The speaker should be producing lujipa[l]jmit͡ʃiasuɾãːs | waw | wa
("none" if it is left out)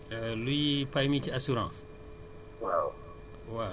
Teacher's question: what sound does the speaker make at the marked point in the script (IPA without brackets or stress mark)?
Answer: none